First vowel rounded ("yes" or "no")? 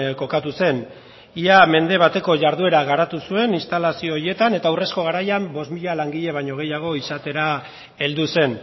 yes